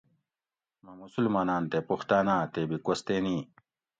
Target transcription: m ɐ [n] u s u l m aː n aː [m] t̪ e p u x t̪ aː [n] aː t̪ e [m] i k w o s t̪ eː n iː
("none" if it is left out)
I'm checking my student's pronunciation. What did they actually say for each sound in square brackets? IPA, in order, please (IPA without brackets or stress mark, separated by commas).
m, n, n, b